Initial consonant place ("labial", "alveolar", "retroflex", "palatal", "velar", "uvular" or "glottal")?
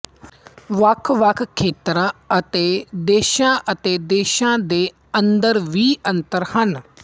labial